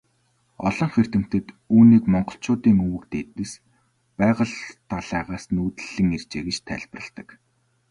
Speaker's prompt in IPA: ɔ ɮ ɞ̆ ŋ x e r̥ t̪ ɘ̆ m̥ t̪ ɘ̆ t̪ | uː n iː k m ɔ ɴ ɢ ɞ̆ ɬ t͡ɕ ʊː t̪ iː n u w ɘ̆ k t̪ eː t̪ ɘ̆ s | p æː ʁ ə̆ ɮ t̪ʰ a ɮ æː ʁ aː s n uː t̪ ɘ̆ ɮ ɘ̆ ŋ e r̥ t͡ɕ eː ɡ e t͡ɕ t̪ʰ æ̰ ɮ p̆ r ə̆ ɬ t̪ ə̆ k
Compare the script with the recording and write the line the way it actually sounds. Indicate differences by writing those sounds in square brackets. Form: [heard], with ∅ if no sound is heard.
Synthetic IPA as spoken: ɔ ɮ ɞ̆ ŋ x e r̥ t̪ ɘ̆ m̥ t̪ ɘ̆ t̪ | uː n iː k m ɔ ɴ ɢ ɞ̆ ɬ t͡ɕ ʊː t̪ iː [ŋ] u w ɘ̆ k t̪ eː t̪ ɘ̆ s | p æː ʁ ə̆ ɮ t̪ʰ a ɮ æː ʁ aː s n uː t̪ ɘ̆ ɮ ɘ̆ ŋ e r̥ t͡ɕ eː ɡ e t͡ɕ t̪ʰ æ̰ ɮ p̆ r ə̆ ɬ t̪ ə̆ k

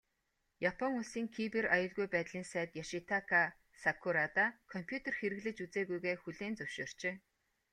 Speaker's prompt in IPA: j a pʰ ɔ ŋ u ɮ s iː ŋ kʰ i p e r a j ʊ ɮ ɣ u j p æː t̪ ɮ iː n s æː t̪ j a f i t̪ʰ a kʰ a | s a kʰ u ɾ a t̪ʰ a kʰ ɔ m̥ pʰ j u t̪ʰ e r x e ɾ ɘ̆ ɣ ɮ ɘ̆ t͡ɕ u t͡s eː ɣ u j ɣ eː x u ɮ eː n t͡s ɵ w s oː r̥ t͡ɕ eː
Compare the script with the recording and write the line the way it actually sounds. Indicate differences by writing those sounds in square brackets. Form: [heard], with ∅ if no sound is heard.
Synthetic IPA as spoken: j a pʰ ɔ ŋ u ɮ s iː ŋ kʰ i p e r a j ʊ ɮ ɣ u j p æː t̪ ɮ iː n s æː t̪ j a [ʃ] i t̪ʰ a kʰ a | s a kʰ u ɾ a [t̪] a kʰ ɔ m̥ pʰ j u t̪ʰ e r x e ɾ ɘ̆ ɣ ɮ ɘ̆ t͡ɕ u t͡s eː ɣ u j ɣ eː x u ɮ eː n t͡s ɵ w [ʃ] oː r̥ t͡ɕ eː

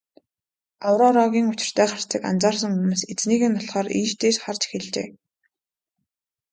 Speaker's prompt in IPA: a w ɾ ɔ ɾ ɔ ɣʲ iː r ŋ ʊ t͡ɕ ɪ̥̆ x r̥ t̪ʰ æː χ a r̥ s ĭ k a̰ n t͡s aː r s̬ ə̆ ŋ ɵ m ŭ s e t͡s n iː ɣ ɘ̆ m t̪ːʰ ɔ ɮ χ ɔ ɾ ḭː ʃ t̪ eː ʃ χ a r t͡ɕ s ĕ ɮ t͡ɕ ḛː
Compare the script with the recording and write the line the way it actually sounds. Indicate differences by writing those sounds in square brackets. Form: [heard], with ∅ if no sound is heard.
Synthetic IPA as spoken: a w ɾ ɔ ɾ ɔ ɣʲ iː [∅] ŋ ʊ t͡ɕ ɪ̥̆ [∅] r̥ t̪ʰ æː χ a r̥ [t͡s] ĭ k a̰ n t͡s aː r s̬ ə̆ ŋ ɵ m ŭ s e t͡s n iː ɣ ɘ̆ [n] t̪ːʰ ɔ ɮ χ [ɔː] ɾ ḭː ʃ t̪ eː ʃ χ a r t͡ɕ [x] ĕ ɮ t͡ɕ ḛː

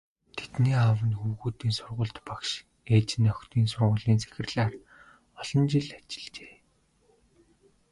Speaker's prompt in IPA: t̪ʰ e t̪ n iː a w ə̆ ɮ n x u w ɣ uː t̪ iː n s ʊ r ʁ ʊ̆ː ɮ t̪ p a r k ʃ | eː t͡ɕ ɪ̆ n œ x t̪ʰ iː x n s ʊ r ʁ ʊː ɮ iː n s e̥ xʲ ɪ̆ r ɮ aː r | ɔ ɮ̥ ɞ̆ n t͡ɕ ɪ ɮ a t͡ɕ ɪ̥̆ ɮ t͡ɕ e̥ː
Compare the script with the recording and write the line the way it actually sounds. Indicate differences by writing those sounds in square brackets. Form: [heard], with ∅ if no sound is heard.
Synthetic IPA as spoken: t̪ʰ e t̪ n iː a w ə̆ [∅] n x u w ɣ uː t̪ iː n s ʊ r ʁ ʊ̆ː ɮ t̪ p a [∅] k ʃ | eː t͡ɕ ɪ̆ n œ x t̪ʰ iː [∅] n s ʊ r ʁ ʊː ɮ iː n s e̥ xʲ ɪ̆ r ɮ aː r | ɔ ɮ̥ ɞ̆ n t͡ɕ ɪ ɮ a t͡ɕ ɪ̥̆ ɮ t͡ɕ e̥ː

